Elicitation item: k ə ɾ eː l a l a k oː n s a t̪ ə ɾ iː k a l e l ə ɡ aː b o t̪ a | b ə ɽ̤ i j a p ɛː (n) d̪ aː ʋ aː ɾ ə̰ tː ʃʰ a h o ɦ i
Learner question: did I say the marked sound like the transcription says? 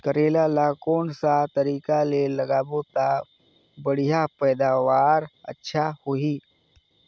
no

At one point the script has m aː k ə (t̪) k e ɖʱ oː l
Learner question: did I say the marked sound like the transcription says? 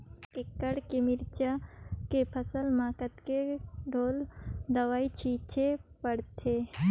yes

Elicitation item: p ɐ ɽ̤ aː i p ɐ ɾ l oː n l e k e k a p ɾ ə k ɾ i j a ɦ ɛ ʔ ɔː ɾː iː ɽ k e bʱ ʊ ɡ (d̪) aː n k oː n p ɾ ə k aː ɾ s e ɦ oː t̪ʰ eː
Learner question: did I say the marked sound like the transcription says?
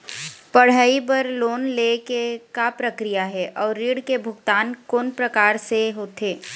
no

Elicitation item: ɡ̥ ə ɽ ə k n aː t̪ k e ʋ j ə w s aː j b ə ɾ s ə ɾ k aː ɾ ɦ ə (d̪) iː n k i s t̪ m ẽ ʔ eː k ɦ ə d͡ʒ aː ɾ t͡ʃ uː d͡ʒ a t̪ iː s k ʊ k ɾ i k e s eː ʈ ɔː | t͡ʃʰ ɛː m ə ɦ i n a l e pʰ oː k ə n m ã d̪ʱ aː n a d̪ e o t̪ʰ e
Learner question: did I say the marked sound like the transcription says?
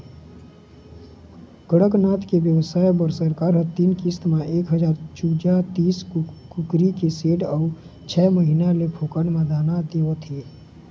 no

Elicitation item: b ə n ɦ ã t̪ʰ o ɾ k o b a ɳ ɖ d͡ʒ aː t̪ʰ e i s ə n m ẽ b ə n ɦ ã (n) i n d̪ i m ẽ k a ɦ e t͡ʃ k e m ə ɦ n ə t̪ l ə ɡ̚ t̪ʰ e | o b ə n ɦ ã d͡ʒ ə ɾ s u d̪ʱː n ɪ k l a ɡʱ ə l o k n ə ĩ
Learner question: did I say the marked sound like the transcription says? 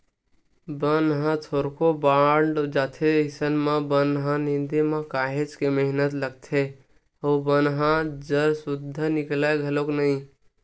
yes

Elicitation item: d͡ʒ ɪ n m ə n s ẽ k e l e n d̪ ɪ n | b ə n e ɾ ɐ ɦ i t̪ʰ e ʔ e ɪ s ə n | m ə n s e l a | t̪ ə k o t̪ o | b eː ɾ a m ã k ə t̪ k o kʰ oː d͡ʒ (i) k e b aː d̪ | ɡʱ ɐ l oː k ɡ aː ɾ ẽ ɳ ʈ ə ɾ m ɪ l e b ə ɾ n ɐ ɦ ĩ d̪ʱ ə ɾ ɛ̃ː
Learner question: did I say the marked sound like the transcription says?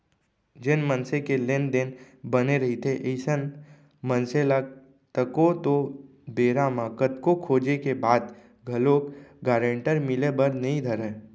no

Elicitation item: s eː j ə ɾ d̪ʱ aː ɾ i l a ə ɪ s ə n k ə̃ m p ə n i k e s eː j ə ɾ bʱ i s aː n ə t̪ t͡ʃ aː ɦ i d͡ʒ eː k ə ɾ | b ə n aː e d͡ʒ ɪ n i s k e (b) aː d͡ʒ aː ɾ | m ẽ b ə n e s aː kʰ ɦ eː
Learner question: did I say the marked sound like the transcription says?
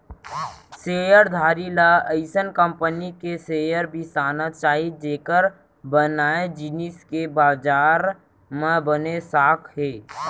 yes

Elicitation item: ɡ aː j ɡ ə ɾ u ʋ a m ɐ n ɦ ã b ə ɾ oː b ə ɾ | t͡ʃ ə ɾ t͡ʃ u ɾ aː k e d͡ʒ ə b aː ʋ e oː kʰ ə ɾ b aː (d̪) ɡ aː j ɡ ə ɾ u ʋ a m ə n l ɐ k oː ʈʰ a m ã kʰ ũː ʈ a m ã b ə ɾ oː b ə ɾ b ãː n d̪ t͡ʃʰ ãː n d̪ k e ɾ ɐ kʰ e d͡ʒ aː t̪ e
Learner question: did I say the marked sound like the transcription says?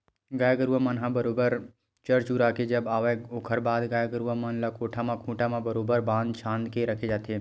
yes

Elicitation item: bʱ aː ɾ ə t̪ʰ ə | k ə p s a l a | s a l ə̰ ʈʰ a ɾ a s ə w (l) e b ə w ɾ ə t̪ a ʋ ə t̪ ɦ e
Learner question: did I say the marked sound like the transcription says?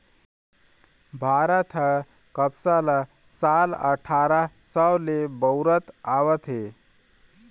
yes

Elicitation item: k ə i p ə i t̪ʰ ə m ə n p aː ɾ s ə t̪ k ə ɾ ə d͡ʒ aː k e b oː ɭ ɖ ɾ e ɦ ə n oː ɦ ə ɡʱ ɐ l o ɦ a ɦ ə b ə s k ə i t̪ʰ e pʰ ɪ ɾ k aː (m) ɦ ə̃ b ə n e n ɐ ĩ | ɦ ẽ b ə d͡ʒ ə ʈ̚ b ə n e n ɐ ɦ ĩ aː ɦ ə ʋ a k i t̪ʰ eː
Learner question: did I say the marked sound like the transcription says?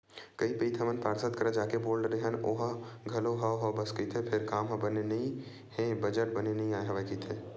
yes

